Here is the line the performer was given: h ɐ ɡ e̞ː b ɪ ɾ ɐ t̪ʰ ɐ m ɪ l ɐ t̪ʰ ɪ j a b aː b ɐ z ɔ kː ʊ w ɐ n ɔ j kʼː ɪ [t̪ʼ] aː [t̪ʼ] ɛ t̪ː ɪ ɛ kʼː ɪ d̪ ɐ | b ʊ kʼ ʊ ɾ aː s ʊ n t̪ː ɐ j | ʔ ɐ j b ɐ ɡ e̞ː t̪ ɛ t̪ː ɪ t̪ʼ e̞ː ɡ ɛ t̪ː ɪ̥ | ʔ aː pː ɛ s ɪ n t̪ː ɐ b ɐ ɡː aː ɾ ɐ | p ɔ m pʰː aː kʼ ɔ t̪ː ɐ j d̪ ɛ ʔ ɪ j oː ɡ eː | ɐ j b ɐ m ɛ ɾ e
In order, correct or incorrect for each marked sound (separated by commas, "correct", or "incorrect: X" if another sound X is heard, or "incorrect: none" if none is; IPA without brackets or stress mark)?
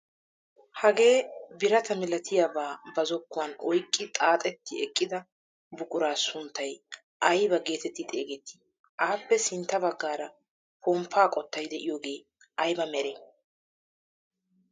correct, correct